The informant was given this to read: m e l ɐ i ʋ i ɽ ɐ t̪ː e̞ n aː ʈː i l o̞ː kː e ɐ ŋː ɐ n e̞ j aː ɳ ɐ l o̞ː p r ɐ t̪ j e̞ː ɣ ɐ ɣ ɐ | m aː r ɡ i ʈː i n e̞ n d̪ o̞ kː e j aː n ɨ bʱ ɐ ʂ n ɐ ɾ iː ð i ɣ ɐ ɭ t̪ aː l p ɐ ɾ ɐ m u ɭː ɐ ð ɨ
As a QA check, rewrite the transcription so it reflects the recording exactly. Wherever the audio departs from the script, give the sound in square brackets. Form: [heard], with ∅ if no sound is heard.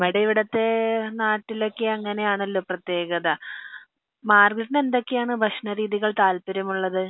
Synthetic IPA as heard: m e [ɽ] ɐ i ʋ i ɽ ɐ t̪ː e̞ n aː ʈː i l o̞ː kː e ɐ ŋː ɐ n e̞ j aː ɳ ɐ [lː] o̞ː p r ɐ t̪ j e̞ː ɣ ɐ [ð] ɐ | m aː r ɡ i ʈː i n e̞ n d̪ o̞ kː e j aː [ɳ] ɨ bʱ ɐ ʂ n ɐ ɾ iː ð i ɣ ɐ ɭ t̪ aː l p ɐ ɾ ɐ m u ɭː ɐ ð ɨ